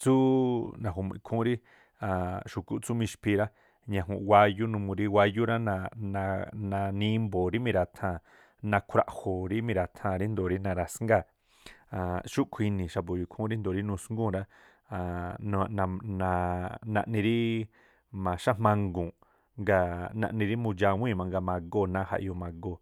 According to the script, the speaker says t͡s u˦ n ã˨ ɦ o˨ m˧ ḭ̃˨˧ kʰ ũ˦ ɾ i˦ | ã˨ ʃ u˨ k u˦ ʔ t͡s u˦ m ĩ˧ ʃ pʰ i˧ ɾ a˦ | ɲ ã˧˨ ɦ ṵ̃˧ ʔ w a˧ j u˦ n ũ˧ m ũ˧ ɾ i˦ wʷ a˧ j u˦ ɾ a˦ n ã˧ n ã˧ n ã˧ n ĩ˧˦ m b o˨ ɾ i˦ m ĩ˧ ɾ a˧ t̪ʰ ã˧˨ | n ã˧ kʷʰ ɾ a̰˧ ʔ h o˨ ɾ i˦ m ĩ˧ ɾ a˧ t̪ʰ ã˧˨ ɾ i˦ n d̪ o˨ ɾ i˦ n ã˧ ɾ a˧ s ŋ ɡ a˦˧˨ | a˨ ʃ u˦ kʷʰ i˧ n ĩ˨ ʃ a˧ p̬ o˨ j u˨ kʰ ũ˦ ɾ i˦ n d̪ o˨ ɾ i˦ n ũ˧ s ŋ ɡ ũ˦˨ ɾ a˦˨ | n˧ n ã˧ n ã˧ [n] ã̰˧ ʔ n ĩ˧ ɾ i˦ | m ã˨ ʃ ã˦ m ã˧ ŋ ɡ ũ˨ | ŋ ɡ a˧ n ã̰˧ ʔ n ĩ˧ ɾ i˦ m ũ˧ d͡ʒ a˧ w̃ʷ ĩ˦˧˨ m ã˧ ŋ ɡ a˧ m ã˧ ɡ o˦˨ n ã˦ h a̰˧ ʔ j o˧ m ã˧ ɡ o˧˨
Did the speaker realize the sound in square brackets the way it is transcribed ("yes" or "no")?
yes